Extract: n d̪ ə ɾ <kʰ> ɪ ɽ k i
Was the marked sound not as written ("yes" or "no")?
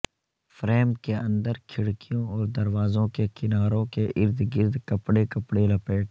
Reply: no